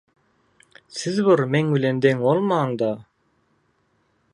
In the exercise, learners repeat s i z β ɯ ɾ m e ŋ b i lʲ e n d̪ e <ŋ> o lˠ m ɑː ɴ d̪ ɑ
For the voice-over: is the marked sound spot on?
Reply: yes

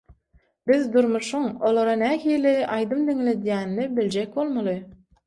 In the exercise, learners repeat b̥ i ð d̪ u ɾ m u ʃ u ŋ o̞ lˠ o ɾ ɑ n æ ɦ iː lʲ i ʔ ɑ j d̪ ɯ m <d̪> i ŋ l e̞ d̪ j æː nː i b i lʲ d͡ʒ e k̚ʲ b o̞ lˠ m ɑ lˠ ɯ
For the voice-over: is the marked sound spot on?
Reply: yes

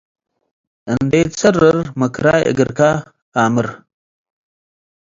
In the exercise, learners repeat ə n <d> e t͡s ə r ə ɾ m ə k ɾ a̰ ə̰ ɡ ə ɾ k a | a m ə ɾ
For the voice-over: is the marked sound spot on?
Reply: yes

